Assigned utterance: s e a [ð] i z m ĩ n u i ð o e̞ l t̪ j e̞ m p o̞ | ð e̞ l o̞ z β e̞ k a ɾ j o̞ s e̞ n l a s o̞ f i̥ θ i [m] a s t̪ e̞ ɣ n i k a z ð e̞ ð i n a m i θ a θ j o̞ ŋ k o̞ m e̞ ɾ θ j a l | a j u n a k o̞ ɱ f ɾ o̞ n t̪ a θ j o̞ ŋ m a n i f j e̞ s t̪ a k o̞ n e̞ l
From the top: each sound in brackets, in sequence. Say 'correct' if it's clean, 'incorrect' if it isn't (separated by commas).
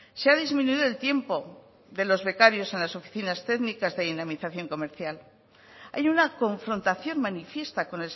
correct, incorrect